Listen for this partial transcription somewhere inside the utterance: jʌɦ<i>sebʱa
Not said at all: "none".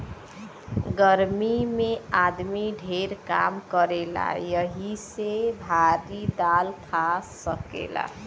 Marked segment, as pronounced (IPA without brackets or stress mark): i